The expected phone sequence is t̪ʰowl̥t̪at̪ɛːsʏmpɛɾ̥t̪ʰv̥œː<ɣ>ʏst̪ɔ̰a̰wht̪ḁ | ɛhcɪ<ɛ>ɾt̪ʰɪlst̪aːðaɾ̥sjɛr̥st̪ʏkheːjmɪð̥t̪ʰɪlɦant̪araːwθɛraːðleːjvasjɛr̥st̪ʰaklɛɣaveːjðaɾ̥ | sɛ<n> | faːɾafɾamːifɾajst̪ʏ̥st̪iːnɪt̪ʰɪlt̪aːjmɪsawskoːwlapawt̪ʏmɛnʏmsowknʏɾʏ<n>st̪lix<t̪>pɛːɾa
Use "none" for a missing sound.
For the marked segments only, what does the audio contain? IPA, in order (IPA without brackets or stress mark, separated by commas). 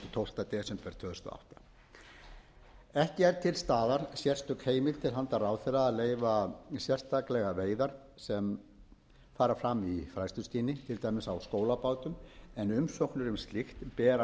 ð, ɛ, m, m, t̪